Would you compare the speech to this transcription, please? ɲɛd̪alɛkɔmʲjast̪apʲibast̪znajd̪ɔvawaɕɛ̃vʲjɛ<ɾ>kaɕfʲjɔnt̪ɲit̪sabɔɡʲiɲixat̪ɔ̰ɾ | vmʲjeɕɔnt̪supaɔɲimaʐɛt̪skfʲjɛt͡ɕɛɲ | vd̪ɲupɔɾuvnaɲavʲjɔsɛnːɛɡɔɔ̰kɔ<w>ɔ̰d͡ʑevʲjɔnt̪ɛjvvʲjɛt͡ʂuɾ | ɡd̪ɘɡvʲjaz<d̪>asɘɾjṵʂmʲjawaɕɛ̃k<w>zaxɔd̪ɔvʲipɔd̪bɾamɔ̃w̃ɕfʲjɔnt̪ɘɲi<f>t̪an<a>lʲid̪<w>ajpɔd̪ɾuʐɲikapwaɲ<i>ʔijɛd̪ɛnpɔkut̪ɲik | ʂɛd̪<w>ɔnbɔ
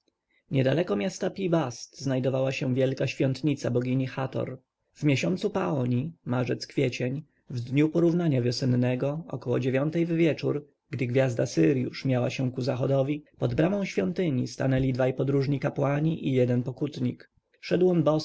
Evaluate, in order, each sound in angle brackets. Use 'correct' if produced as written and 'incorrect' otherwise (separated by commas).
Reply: incorrect, correct, correct, incorrect, incorrect, incorrect, incorrect, correct, correct